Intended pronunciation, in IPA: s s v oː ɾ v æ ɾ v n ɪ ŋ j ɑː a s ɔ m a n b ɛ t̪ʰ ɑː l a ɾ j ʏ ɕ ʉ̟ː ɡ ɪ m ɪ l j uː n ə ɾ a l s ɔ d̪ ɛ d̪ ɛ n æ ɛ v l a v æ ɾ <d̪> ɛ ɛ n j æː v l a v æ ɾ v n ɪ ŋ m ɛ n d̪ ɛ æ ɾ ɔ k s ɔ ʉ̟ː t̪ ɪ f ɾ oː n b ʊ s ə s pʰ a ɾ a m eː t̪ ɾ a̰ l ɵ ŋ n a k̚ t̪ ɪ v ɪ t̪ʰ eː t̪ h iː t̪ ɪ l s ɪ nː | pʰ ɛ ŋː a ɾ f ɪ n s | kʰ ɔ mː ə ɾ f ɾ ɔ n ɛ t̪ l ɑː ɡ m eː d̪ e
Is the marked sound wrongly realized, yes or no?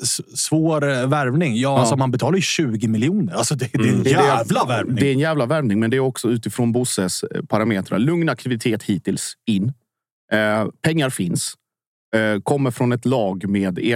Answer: no